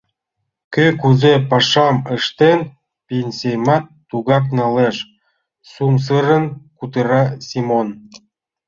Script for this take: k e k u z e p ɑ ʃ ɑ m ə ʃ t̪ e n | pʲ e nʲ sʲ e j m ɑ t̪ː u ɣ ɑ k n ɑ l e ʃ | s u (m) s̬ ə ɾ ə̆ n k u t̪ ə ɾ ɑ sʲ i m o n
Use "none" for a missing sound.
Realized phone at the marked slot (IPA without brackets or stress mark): m